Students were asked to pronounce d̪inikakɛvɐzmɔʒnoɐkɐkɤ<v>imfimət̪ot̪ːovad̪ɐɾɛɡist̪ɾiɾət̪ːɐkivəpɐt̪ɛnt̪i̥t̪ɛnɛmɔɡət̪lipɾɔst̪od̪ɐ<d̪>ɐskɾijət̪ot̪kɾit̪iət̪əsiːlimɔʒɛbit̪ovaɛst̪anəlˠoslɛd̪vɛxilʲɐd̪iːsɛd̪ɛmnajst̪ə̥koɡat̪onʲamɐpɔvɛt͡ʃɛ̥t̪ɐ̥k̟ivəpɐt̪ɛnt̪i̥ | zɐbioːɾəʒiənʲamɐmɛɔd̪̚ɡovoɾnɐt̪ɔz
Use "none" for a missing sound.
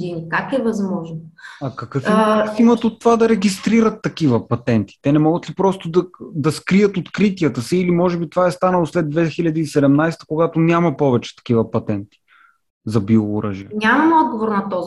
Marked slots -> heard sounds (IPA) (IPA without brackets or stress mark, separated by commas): f, d̪